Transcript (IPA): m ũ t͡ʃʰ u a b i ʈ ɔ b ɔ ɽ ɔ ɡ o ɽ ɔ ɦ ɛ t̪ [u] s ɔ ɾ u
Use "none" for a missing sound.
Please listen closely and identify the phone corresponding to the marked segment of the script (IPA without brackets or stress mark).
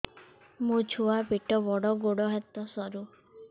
ɔ